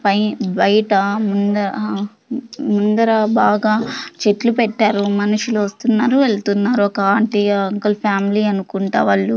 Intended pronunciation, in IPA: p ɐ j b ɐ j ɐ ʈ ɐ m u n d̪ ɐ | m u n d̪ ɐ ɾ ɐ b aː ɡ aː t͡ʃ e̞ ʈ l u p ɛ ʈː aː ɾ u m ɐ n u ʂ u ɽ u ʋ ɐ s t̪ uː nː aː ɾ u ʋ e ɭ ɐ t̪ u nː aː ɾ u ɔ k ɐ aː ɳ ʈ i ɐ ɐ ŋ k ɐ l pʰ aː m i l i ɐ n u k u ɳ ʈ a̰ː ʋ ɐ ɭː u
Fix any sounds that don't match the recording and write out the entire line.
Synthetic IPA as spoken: p ɐ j b ɐ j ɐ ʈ ɐ m u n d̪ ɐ | m u n d̪ ɐ ɾ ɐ b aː ɡ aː t͡ʃ e̞ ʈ l u p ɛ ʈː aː ɾ u m ɐ n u ʂ u l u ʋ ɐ s t̪ u nː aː ɾ u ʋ e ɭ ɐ t̪ u nː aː ɾ u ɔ k ɐ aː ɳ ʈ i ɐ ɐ ŋ k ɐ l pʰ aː m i l i ɐ n u k u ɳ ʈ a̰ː ʋ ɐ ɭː u